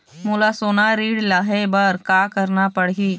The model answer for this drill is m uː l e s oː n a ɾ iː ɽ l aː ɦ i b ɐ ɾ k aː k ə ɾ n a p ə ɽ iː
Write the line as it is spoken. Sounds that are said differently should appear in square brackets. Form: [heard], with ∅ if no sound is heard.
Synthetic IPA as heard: m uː l [a] s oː n a ɾ iː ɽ l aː ɦ [e] b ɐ ɾ k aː k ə ɾ n a p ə ɽ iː